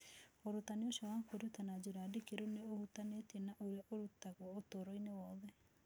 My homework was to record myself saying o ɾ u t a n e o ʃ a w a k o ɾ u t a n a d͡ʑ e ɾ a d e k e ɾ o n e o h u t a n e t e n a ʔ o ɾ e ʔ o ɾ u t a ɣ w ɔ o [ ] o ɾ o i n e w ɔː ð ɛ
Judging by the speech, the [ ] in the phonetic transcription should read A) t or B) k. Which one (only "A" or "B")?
A